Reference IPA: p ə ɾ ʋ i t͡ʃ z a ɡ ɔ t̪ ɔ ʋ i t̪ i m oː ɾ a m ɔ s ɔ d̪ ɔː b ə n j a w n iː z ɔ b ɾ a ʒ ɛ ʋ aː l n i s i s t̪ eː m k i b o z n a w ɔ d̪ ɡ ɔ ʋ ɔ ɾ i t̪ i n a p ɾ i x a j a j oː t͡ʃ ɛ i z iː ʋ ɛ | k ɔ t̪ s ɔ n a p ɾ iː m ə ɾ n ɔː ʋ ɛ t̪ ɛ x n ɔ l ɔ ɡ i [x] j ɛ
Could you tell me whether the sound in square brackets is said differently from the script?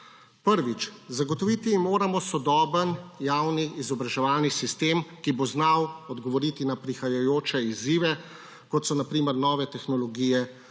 yes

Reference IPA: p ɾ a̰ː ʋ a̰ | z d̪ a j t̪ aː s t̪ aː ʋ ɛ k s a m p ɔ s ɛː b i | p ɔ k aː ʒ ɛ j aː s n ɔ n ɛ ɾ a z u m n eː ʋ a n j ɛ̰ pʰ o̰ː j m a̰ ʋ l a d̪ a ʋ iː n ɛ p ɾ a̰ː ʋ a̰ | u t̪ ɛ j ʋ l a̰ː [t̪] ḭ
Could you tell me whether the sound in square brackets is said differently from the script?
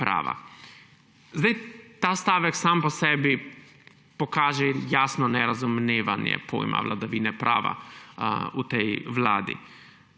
yes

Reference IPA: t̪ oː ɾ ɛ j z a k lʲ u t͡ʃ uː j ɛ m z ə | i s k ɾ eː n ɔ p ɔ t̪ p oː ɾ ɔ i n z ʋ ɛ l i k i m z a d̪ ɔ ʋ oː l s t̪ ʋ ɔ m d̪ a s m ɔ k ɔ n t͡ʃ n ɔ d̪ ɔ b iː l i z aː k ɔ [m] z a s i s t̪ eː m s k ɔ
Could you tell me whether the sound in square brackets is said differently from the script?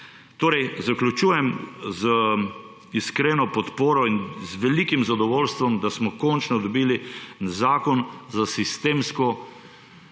yes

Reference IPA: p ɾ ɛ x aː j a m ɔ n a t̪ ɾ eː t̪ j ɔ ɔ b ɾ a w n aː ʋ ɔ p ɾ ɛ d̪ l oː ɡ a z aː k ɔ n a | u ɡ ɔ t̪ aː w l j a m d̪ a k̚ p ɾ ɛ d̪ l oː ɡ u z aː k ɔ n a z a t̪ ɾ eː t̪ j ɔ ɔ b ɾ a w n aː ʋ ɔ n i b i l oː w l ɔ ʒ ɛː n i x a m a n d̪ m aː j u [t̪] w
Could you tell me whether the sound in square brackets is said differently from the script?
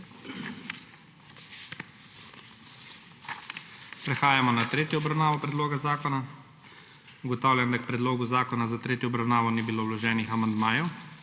yes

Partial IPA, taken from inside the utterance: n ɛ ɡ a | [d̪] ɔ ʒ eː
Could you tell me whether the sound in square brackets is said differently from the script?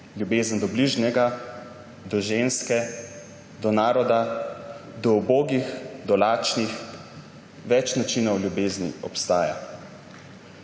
no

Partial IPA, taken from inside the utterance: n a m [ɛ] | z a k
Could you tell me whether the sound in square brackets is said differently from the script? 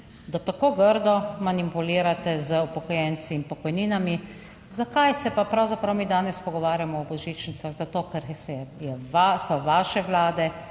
yes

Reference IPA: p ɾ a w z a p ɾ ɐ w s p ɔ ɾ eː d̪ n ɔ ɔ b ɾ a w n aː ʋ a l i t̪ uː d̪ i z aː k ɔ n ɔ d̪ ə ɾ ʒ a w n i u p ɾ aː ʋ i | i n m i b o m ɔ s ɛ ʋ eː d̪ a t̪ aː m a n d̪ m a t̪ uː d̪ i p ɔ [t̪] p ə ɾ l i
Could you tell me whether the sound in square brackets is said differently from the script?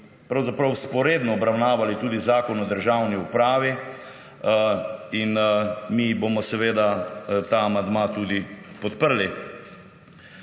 no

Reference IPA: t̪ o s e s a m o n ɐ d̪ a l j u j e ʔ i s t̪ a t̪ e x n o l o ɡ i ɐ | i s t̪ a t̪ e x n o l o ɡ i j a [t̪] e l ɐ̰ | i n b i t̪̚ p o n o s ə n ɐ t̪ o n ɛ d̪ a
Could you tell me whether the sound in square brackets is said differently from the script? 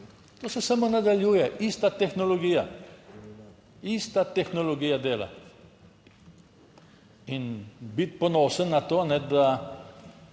yes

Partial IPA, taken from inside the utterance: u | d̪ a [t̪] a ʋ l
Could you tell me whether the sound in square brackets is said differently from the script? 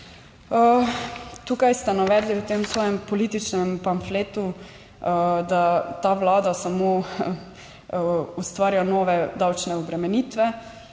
no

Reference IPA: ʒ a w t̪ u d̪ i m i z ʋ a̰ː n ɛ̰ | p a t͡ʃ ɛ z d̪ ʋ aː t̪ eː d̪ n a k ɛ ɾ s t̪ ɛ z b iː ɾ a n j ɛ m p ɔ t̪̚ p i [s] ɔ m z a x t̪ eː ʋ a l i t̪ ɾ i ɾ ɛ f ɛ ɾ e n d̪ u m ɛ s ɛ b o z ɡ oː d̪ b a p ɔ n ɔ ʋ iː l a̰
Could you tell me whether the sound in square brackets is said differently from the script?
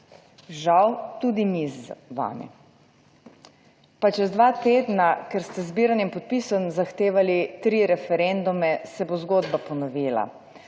no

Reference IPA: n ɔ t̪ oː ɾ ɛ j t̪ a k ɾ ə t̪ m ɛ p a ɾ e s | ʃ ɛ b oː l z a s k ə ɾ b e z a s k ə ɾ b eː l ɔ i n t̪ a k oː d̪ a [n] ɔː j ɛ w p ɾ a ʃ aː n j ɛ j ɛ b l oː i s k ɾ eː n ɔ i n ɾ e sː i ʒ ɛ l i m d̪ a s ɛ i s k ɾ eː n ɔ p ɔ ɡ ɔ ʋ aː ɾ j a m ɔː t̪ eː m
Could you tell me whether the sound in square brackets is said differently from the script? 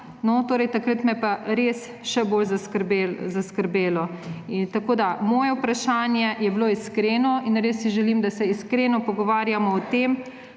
yes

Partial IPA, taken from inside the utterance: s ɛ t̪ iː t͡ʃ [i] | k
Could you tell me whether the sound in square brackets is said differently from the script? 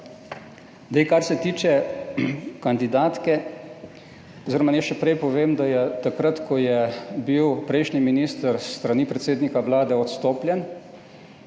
yes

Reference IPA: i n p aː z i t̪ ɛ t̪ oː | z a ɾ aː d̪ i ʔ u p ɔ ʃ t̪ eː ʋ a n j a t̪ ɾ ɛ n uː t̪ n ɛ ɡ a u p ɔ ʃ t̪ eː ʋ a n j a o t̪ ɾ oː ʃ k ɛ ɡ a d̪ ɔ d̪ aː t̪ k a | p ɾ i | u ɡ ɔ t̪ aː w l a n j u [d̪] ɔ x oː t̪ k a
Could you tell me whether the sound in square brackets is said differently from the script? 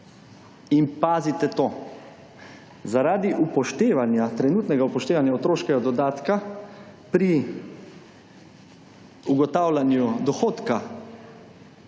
no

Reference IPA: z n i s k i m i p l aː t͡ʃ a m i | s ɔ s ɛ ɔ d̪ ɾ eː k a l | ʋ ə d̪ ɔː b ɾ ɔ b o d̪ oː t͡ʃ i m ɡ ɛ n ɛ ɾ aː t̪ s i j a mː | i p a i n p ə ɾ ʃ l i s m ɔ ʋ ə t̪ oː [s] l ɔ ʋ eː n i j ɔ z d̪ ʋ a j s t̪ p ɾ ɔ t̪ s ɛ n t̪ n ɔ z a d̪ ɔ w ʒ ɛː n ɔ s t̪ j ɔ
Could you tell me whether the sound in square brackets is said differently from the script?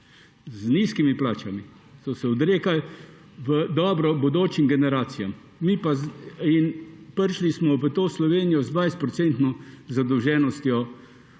no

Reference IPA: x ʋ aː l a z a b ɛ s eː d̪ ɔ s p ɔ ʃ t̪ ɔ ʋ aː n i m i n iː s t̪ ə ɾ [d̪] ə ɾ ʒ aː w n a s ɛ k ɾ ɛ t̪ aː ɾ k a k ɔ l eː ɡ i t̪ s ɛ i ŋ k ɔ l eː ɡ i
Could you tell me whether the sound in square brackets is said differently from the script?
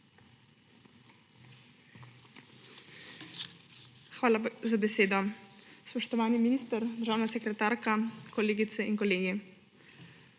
no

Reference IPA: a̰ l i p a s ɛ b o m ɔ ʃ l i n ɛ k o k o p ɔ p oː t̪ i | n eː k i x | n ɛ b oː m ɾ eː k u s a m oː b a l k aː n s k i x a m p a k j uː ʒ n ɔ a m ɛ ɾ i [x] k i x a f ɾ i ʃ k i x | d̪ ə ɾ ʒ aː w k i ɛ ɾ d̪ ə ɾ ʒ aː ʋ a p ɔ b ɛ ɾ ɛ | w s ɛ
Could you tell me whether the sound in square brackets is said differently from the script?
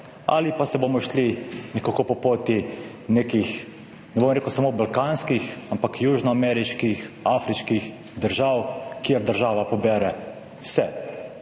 yes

